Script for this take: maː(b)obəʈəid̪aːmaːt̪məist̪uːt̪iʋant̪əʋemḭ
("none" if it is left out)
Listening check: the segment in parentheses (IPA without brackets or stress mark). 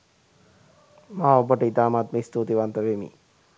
none